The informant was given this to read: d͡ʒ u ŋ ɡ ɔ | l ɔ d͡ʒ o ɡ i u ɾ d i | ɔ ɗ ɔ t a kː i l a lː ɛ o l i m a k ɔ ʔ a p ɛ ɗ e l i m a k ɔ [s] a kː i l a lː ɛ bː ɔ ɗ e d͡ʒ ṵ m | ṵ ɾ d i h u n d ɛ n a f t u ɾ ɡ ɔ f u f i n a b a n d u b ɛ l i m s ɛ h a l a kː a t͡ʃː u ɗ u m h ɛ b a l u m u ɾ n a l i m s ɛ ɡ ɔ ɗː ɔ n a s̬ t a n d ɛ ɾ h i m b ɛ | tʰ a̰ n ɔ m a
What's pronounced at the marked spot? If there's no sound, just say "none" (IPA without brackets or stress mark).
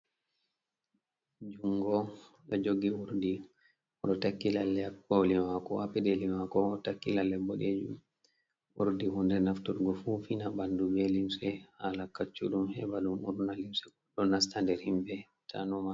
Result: t